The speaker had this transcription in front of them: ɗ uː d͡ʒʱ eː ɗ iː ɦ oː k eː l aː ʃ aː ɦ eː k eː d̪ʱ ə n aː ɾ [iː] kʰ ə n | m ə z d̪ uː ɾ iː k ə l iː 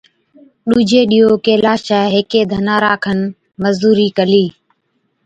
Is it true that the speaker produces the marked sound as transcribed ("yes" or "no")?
no